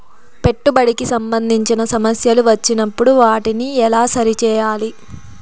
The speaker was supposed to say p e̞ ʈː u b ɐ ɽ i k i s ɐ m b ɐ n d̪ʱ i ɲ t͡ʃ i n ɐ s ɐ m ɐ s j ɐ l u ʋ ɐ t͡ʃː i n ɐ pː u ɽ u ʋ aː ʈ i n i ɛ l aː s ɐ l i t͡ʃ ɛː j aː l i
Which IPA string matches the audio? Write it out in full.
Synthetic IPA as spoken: p e̞ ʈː u b ɐ ɽ i k i s ɐ m b ɐ n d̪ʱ i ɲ t͡ʃ i n ɐ s ɐ m ɐ s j ɐ l u ʋ ɐ t͡ʃː i n ɐ pː u ɽ u ʋ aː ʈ i n i ɛ l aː s ɐ ɾ i t͡ʃ ɛː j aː l i